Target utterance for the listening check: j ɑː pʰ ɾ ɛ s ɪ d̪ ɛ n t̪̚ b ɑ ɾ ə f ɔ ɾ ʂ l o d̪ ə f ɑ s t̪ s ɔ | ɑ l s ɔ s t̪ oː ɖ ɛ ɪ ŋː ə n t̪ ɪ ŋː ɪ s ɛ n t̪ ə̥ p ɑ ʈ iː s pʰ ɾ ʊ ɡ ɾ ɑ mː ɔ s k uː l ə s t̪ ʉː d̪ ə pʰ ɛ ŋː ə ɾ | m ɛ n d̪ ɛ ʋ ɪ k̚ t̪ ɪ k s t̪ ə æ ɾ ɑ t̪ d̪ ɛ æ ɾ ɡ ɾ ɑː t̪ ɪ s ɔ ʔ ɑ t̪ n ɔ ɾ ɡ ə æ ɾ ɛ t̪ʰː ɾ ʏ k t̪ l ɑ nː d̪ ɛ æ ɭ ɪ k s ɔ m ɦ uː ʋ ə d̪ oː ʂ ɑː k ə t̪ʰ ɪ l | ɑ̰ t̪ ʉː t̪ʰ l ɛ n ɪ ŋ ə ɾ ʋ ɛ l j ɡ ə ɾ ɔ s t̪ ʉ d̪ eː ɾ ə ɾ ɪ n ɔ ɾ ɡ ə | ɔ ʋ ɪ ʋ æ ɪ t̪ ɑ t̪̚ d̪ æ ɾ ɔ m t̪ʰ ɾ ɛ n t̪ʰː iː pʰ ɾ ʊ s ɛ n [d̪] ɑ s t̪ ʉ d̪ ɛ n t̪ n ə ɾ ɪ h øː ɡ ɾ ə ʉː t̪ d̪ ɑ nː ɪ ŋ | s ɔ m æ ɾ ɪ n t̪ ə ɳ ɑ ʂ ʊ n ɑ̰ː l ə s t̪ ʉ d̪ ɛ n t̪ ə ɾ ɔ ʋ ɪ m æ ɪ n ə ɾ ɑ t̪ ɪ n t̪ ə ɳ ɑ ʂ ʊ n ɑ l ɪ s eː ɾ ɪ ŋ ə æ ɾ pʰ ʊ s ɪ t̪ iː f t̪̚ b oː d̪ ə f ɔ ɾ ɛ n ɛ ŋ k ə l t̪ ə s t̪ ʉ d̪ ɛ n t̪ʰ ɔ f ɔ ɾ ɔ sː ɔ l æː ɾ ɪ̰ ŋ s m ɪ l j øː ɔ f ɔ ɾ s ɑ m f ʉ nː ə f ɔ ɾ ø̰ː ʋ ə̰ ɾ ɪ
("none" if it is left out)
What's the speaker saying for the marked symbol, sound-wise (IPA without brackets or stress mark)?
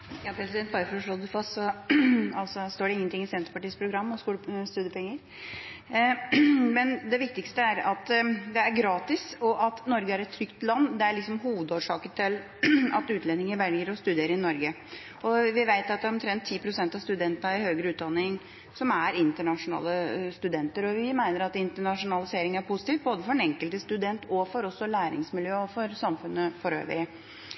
t̪